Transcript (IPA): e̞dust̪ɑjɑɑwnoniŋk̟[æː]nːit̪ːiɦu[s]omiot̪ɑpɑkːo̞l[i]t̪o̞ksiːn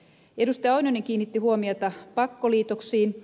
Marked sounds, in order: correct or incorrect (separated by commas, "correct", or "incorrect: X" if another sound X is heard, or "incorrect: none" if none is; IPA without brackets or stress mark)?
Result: incorrect: iː, incorrect: none, incorrect: iː